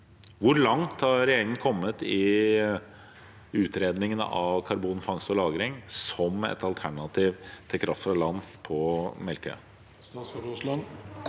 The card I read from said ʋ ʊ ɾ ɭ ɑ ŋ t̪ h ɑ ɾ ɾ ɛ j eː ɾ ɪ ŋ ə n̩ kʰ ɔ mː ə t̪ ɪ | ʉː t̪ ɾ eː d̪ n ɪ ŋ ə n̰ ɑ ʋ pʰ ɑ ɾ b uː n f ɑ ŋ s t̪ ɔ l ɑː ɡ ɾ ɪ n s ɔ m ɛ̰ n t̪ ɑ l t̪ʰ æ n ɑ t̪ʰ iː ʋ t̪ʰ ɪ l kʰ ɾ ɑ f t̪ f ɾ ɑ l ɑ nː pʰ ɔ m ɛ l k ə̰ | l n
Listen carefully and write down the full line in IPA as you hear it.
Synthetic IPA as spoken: ʋ ʊ ɾ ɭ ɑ ŋ t̪ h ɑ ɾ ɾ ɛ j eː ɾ ɪ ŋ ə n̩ kʰ ɔ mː ə t̪ ɪ | ʉː t̪ ɾ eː d̪ n ɪ ŋ ə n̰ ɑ ʋ kʰ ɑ ɾ b uː n f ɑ ŋ s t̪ ɔ l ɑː ɡ ɾ ɪ ŋ s ɔ m ɛ̰ t̪ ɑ l t̪ʰ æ ɳ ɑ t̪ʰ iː ʋ t̪ʰ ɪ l kʰ ɾ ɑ f t̪ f ɾ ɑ l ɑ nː pʰ ɔ m ɛ l k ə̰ | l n